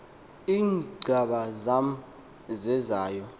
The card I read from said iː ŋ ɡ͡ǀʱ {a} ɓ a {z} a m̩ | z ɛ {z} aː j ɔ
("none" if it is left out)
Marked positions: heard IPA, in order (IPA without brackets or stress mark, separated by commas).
a, z, z